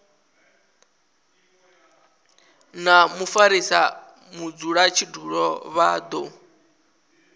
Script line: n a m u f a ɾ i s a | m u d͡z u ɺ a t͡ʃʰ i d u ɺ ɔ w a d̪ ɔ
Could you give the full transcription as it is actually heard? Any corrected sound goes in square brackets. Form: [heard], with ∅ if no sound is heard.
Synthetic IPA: n a m u f a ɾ i s a | m u d͡z u ɺ a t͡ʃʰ i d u ɺ ɔ [β] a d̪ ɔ